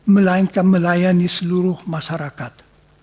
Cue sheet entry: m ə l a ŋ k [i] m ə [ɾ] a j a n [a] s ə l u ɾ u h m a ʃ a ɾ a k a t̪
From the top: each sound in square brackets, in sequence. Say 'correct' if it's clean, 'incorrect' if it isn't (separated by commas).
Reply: incorrect, incorrect, incorrect